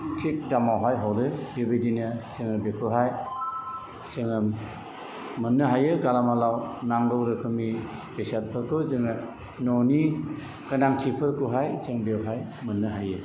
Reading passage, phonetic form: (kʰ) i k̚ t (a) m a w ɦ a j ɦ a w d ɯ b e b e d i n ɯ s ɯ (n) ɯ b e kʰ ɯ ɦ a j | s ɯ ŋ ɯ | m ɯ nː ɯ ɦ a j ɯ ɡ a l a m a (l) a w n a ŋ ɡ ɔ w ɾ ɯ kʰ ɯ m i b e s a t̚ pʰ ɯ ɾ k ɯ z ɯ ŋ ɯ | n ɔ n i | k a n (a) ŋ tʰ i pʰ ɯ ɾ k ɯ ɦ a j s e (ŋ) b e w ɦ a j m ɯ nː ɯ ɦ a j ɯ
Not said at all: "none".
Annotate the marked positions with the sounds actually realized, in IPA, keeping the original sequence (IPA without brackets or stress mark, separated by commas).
tʰ, a, ŋ, l, a, ŋ